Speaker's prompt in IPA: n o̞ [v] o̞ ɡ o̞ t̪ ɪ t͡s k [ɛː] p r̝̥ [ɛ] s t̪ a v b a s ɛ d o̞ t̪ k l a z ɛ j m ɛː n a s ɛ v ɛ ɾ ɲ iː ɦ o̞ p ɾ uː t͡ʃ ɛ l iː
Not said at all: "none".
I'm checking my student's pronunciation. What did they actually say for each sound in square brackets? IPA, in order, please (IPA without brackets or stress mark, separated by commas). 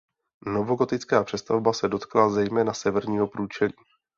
v, aː, ɛ